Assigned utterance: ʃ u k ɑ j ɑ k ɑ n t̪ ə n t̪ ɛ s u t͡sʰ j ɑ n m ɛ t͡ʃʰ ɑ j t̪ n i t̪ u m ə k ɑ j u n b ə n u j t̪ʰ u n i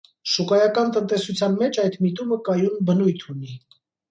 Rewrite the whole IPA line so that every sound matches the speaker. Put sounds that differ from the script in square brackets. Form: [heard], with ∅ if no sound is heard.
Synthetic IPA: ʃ u k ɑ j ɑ k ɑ n t̪ ə n t̪ ɛ s u t͡sʰ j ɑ n m ɛ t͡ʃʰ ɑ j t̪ [m] i t̪ u m ə k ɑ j u n b ə n u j t̪ʰ u n i